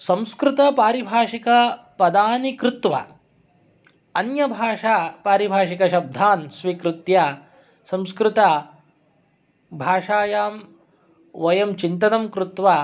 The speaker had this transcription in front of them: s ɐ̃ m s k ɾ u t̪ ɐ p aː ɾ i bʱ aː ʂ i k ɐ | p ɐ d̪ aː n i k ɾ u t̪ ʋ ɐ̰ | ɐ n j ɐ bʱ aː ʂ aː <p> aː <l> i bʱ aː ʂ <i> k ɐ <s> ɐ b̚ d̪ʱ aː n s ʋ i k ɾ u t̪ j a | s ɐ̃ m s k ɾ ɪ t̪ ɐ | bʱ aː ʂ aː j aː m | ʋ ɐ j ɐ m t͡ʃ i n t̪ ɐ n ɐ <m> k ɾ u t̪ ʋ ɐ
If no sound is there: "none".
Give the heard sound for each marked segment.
p, ɾ, i, ʃ, m

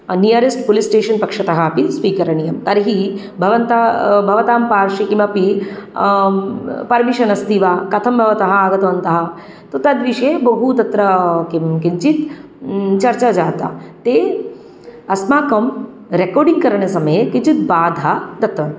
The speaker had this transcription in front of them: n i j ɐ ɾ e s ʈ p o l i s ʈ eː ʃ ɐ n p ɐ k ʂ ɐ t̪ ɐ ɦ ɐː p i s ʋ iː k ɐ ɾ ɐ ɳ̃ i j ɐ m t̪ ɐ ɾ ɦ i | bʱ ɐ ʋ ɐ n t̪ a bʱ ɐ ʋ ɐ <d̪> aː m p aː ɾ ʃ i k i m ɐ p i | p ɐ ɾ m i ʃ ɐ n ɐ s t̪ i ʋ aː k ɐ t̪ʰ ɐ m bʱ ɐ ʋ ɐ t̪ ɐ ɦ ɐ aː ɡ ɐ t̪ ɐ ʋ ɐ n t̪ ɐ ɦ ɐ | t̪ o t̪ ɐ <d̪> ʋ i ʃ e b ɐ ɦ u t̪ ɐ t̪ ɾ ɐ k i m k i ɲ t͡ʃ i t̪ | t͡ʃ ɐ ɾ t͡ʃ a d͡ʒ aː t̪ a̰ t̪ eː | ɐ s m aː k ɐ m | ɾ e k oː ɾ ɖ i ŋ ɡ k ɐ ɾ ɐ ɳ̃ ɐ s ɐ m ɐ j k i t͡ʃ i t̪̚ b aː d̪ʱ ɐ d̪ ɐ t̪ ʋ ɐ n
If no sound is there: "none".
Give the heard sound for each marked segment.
t̪, d̪

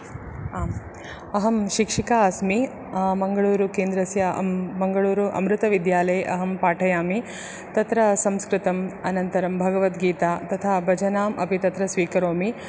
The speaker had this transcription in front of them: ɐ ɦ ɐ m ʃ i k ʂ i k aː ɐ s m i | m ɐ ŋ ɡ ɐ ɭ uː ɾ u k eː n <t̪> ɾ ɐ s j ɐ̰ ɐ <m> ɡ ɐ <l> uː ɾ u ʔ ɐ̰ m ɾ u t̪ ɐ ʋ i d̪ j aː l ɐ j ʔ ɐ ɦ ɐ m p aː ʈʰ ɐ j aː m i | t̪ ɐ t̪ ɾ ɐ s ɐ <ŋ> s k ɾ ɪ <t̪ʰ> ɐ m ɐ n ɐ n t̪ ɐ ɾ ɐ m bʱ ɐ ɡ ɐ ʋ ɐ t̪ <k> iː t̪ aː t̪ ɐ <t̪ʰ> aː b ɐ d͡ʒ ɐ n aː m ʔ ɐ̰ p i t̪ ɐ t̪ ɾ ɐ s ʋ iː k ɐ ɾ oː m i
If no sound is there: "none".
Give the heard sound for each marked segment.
d̪, ŋ, ɭ, m, t̪, ɡ, t̪ʰ

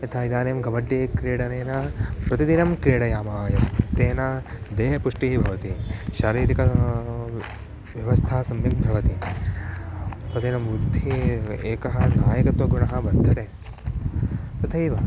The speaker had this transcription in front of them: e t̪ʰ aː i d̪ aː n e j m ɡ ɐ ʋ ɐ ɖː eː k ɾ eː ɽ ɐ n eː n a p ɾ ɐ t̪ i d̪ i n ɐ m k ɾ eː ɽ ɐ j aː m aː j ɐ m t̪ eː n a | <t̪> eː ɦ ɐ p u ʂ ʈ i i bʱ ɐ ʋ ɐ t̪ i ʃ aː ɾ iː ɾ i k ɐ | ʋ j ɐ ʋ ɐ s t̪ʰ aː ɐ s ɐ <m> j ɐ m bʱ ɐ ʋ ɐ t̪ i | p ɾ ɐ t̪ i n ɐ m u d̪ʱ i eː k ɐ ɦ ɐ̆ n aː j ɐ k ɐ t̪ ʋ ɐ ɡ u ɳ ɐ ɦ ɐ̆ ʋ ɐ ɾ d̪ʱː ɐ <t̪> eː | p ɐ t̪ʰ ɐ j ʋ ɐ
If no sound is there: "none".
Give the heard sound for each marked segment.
d̪, m, t̪

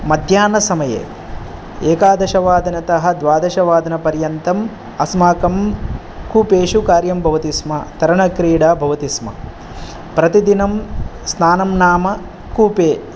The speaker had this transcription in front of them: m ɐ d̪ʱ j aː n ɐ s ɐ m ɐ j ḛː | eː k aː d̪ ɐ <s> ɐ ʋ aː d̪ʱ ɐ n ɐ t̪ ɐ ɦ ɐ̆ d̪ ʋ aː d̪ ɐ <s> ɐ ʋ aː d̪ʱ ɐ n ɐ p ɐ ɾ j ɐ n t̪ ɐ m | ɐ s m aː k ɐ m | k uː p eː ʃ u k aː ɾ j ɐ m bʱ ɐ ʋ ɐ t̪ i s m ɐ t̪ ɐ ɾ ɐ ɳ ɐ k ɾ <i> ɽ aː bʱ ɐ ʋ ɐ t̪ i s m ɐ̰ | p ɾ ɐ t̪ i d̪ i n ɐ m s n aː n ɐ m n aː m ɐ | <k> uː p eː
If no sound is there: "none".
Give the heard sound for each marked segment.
ʃ, ʃ, iː, k

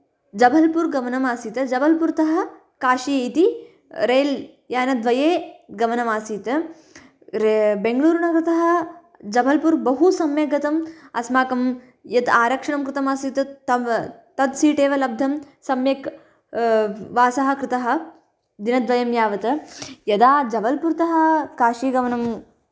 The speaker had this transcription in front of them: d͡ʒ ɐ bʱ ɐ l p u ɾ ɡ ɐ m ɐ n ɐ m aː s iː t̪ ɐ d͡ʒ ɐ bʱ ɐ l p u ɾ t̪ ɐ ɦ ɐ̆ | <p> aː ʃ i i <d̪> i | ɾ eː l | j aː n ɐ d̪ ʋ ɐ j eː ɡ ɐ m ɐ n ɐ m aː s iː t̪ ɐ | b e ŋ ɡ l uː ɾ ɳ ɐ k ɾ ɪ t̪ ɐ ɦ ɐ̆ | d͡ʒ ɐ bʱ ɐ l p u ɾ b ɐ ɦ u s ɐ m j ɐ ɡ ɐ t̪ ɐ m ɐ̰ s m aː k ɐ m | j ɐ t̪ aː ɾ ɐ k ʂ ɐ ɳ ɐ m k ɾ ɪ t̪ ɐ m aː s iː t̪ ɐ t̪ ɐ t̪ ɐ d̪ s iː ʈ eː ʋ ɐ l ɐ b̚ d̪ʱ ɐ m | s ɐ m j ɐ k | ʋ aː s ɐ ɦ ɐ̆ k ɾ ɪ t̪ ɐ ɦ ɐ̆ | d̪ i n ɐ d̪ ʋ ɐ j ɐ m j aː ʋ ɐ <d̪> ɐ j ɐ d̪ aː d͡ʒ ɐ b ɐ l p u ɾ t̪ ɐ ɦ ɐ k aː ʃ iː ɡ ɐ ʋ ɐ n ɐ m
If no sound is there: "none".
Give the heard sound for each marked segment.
k, t̪, t̪

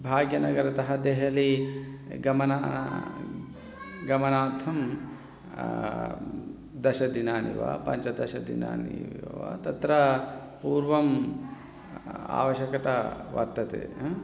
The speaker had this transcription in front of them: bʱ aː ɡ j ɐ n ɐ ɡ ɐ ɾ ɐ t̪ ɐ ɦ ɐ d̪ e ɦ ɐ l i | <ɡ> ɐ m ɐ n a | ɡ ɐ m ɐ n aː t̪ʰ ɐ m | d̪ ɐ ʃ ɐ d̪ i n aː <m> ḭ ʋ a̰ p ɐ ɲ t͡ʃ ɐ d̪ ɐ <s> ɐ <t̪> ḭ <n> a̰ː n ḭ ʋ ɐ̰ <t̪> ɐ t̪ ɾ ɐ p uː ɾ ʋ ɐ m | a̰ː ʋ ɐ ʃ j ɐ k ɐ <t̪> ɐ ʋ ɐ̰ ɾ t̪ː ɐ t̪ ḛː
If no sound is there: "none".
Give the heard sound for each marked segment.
ɡ, n, ʃ, d̪, n, t̪, t̪

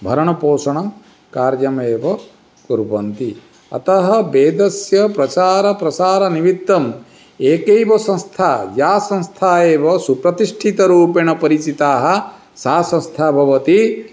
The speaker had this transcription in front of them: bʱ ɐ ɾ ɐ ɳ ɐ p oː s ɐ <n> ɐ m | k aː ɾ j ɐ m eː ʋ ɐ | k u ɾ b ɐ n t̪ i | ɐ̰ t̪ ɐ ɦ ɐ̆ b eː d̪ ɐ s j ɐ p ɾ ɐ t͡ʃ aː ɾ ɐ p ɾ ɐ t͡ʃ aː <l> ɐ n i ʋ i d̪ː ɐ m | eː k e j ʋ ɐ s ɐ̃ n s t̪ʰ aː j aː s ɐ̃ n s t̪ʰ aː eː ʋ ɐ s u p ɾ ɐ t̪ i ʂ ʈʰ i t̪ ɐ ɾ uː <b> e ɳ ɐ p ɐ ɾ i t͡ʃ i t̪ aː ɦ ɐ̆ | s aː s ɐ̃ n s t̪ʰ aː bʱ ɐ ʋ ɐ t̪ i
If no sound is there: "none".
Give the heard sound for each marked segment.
ɳ, ɾ, p

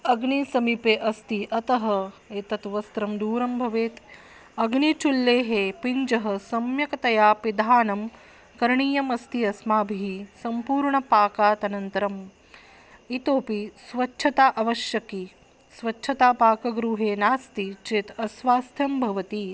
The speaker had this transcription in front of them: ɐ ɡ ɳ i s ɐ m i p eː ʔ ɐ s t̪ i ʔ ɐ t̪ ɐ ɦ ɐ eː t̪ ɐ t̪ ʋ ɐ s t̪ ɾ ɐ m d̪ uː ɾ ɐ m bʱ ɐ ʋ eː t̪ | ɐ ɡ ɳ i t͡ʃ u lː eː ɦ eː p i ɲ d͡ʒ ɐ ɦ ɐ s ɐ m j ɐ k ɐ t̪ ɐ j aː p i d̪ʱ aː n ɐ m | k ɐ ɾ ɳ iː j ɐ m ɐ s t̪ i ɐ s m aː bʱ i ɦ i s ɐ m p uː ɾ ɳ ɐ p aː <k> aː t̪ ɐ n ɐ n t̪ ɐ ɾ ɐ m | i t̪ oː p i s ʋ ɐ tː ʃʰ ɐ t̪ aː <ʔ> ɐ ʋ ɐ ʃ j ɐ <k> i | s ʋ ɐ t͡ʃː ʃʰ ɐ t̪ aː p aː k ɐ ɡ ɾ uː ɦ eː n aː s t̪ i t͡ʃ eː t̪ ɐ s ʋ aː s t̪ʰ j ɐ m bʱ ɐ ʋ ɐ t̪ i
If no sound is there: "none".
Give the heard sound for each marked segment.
k, ʔ, k

